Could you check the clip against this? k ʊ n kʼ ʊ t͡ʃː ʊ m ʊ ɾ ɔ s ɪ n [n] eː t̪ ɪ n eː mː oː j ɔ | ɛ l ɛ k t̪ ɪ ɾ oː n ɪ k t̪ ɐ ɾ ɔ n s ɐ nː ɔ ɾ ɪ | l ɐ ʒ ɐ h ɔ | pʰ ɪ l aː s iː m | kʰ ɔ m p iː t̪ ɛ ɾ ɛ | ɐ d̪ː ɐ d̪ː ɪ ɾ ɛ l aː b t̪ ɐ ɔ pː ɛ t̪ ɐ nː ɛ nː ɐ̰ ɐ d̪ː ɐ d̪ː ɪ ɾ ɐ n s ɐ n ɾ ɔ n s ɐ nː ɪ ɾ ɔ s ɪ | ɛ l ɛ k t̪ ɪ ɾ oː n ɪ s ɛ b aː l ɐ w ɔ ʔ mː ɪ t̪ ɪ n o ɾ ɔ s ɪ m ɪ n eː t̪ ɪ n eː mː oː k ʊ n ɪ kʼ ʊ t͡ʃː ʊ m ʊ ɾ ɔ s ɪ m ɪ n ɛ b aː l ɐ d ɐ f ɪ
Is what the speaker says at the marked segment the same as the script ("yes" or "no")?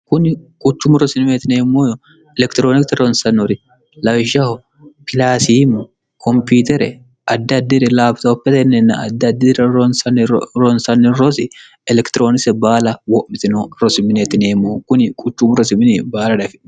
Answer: no